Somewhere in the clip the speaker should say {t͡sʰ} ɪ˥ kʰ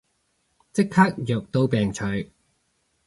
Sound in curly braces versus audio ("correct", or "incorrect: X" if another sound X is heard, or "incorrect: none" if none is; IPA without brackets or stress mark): incorrect: t͡s